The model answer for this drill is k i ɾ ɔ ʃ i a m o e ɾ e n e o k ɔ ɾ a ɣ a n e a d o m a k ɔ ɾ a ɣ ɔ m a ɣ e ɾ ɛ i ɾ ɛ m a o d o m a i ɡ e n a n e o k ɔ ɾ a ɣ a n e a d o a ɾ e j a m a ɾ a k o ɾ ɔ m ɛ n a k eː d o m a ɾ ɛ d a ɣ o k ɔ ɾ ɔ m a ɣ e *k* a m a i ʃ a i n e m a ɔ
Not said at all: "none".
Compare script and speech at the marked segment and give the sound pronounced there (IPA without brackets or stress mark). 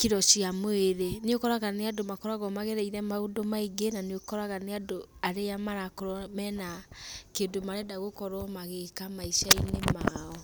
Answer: k